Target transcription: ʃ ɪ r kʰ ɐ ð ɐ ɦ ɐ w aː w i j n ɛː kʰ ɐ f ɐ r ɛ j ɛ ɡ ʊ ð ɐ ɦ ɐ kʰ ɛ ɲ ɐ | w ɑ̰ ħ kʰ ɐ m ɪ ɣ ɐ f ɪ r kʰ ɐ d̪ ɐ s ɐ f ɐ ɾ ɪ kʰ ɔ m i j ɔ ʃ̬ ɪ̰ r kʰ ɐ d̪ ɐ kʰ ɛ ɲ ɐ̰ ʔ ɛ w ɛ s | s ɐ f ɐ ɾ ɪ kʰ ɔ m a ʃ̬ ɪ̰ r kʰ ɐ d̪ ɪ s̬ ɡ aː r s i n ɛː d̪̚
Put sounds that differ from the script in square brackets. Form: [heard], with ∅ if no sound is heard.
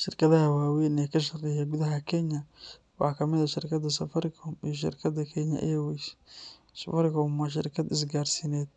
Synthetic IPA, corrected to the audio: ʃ ɪ r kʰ ɐ ð ɐ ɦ ɐ w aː w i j n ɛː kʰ ɐ [ʃ] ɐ r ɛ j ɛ ɡ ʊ ð ɐ ɦ ɐ kʰ ɛ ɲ ɐ | w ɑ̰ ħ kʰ ɐ m ɪ [ð] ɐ [ʃ] ɪ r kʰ ɐ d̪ ɐ s ɐ f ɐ ɾ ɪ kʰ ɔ m i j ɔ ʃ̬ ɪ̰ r kʰ ɐ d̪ ɐ kʰ ɛ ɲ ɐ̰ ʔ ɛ w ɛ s | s ɐ f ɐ ɾ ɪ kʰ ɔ m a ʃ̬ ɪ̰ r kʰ ɐ d̪ ɪ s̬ ɡ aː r s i n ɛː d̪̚